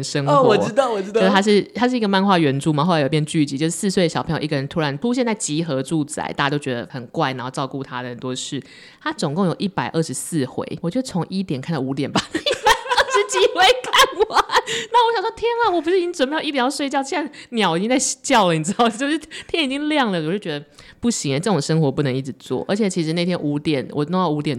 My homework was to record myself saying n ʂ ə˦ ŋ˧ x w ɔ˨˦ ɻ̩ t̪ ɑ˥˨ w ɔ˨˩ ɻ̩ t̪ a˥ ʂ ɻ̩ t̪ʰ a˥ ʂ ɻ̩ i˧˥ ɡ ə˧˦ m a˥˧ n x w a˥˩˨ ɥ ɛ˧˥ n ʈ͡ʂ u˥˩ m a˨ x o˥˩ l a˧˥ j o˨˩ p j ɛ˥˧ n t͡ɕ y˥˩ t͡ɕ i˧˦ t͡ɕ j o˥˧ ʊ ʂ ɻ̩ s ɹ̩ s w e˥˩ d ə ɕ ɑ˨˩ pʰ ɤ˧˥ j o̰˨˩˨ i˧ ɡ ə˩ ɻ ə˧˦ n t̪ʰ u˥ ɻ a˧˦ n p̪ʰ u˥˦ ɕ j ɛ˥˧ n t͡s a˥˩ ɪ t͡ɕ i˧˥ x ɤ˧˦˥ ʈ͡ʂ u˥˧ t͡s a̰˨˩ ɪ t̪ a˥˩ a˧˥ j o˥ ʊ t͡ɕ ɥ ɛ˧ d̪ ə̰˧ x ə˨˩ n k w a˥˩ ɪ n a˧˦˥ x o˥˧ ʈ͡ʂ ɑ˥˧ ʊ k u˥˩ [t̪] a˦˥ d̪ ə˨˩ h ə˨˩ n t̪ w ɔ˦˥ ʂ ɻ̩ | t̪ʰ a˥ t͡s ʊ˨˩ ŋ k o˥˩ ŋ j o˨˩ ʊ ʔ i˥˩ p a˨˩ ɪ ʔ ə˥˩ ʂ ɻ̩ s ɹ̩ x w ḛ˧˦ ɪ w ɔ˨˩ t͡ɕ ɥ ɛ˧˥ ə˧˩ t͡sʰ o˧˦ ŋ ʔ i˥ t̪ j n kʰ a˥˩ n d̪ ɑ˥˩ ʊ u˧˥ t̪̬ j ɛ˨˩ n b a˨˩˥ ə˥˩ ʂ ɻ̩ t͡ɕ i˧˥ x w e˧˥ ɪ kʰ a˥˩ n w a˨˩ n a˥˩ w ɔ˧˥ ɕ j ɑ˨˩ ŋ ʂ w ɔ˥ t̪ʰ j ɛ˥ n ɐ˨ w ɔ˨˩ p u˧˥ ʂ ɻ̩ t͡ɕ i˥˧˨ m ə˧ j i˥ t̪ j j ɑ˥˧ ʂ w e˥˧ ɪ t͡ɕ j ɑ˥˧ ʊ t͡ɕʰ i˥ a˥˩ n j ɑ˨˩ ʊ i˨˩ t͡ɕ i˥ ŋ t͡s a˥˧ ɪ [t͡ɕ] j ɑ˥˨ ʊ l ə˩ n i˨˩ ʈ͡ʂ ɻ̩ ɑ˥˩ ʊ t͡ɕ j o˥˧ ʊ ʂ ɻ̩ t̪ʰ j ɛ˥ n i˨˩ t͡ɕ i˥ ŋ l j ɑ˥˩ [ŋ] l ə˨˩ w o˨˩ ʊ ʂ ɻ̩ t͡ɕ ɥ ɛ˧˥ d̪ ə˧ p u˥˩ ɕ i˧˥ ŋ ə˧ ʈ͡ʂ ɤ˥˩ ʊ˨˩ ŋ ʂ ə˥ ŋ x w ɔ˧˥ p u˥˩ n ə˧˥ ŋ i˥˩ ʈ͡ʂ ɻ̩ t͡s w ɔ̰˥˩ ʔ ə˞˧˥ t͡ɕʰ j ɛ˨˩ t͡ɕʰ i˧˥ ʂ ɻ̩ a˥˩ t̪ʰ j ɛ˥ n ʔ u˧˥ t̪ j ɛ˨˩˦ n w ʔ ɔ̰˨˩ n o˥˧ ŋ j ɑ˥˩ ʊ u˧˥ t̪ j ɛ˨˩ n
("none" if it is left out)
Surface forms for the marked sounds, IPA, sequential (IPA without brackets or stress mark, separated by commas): t̪ʰ, t͡ɕ, ŋ